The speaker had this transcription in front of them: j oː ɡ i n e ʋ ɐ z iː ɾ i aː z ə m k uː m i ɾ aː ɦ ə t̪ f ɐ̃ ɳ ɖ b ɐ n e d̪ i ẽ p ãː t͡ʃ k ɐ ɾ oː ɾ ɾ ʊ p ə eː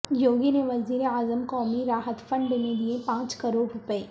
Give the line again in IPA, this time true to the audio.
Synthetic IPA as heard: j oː ɡ i n e ʋ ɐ z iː ɾ e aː z ə m k ɔː m i ɾ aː ɦ ə t̪ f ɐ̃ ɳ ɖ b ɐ n e d̪ i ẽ p ãː t͡ʃ k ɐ ɾ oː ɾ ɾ ʊ p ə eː